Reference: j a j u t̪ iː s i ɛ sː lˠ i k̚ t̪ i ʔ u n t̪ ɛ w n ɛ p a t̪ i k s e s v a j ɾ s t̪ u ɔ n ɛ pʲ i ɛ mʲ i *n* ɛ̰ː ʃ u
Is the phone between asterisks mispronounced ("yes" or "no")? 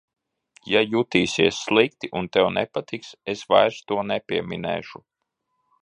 no